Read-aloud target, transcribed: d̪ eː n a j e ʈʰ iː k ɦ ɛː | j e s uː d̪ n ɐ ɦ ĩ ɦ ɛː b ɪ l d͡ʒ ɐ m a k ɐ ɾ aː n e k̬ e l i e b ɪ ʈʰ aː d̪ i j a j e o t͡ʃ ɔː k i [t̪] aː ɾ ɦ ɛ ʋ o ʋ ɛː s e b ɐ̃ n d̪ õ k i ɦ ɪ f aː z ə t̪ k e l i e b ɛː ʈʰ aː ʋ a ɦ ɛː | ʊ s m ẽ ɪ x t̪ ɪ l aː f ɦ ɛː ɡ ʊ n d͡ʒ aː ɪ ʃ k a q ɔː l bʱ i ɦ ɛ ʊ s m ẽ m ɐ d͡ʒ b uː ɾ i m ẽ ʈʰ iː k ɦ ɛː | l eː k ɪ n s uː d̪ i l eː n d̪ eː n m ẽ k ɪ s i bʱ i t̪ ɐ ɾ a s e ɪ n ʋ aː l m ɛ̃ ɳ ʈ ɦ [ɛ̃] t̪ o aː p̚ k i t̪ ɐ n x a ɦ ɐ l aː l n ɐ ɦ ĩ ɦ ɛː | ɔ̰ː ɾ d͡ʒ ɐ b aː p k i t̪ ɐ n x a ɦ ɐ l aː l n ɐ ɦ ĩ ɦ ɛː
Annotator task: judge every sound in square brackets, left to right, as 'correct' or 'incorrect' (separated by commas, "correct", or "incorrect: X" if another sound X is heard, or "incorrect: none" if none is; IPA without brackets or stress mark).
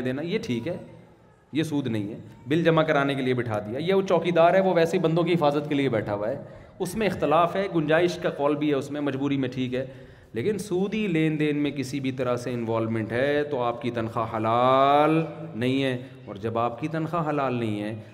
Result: incorrect: d̪, incorrect: ɛ